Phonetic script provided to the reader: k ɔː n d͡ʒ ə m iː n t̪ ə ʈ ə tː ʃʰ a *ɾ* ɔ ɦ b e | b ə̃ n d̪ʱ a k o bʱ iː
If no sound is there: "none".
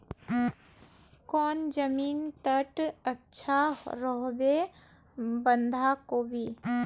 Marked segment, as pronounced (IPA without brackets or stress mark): ɾ